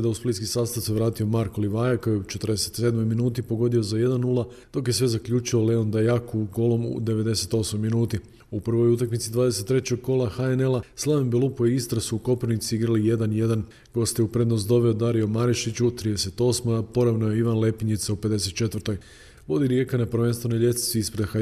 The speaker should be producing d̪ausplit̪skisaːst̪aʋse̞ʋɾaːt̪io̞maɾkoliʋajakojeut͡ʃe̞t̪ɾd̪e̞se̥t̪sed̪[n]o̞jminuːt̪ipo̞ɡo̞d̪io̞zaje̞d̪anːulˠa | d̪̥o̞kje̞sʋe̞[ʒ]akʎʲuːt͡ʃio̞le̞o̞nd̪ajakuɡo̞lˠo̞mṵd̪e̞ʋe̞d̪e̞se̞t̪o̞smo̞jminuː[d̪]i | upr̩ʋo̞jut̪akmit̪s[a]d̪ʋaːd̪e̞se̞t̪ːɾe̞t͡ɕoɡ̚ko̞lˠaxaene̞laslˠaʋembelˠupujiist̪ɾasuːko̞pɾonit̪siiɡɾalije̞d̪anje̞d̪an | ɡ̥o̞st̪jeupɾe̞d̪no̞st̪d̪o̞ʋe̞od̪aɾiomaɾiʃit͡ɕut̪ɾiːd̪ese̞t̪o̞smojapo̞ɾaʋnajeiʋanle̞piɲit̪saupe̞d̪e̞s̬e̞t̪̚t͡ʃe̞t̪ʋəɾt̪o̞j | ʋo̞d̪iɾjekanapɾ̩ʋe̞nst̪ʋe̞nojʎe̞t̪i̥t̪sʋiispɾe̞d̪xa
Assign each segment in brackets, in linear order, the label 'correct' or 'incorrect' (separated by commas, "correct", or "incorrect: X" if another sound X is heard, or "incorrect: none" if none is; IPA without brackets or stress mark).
incorrect: m, incorrect: z, incorrect: t̪, incorrect: i